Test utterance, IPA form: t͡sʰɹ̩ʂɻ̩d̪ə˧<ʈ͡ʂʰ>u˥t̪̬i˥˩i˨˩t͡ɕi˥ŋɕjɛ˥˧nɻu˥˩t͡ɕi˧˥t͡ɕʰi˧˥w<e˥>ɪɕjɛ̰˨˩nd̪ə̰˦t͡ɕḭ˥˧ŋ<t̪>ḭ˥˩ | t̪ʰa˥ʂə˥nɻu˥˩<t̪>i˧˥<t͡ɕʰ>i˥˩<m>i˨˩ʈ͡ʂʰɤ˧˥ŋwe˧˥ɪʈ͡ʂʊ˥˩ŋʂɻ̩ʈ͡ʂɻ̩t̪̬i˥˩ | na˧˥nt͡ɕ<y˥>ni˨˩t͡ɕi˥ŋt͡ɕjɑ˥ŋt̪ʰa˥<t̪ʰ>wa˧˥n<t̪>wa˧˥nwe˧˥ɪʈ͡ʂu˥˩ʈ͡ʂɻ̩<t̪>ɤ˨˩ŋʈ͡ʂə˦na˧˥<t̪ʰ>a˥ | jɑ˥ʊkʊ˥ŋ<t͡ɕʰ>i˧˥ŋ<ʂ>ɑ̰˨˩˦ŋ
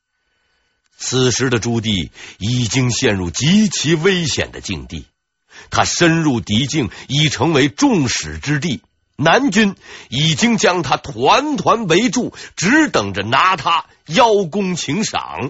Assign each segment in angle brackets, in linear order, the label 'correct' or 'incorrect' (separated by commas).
incorrect, correct, correct, correct, incorrect, incorrect, correct, correct, incorrect, correct, correct, correct, correct